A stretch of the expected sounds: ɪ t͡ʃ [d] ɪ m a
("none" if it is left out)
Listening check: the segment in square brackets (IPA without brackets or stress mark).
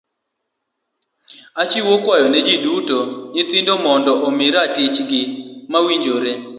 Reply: ɡ